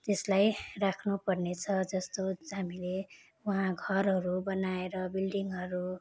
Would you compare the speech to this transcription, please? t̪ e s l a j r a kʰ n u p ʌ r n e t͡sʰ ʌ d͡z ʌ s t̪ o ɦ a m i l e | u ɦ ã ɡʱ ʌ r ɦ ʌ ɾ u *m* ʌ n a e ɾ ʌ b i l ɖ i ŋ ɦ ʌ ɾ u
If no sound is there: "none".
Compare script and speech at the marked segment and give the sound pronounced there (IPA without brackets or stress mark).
b